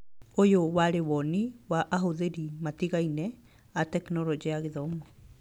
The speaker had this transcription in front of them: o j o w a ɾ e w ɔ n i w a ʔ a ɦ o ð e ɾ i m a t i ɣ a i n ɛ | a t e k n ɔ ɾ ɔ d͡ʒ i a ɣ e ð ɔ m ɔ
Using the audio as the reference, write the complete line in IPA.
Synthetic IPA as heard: o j o w a ɾ e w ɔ n i w a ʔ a ɦ o ð e ɾ i m a t i ɣ a i n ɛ | a t ɛ k n ɔ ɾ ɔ d͡ʒ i a ɣ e ð ɔ m ɔ